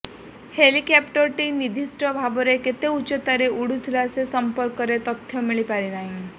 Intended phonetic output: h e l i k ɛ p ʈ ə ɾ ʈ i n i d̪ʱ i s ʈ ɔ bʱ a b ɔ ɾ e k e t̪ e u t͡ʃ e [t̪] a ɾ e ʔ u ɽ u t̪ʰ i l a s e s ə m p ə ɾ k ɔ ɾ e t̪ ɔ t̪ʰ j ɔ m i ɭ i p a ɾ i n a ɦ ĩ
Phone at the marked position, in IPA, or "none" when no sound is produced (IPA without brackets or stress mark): t̪